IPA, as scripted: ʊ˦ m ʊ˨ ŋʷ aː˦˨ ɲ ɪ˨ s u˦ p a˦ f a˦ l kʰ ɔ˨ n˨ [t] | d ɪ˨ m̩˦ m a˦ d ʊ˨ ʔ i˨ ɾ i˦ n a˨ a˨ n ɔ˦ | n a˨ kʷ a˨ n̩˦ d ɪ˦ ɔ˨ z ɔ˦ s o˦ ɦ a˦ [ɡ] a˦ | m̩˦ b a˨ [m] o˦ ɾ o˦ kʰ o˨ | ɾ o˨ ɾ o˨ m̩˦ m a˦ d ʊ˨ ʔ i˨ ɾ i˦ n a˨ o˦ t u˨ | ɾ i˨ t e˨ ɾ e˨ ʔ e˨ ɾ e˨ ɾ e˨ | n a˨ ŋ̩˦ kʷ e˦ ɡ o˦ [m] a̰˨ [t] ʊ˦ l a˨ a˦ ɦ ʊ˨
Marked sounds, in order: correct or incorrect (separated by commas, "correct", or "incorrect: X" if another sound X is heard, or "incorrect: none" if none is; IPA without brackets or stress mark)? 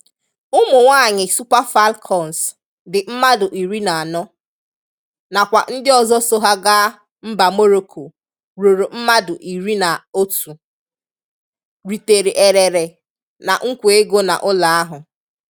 incorrect: s, correct, correct, incorrect: n, incorrect: ʔ